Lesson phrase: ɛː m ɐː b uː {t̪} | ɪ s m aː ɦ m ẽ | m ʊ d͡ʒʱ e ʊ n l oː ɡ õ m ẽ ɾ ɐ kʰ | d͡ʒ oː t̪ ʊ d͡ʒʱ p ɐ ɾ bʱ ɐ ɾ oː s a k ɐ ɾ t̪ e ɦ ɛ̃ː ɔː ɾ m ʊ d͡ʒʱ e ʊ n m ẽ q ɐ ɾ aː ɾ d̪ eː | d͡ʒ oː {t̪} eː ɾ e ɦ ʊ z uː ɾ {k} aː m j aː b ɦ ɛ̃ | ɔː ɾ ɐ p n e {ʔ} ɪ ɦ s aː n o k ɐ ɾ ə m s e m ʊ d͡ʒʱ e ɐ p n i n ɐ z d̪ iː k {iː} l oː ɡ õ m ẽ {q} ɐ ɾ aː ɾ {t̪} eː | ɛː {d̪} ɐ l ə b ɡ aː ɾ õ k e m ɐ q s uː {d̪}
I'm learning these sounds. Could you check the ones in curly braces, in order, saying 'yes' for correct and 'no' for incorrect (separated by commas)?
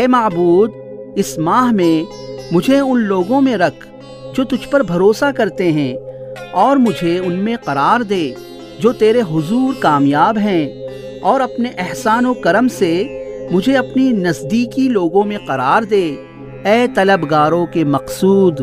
no, yes, yes, yes, no, yes, no, no, yes